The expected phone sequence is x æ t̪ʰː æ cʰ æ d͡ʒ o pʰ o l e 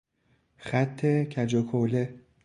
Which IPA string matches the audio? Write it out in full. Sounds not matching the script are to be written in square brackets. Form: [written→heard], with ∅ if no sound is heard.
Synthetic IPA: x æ t̪ʰː [æ→e] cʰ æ d͡ʒ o [pʰ→kʰ] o l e